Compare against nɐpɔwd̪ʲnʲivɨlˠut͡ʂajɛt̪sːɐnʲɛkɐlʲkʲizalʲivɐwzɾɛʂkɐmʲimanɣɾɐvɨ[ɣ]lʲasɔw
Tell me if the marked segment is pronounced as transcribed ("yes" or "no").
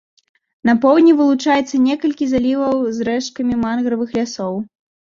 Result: no